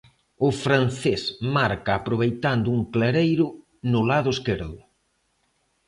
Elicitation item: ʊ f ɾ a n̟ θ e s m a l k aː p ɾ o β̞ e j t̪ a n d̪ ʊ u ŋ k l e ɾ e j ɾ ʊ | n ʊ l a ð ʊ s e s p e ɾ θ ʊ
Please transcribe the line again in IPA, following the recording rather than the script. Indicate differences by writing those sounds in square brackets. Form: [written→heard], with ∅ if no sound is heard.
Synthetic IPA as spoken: ʊ f ɾ a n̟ θ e s m a [l→ɾ] k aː p ɾ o β̞ e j t̪ a n d̪ ʊ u ŋ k l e ɾ e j ɾ ʊ | n ʊ l a ð ʊ [s→∅] e s [p→k] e ɾ [θ→ð] ʊ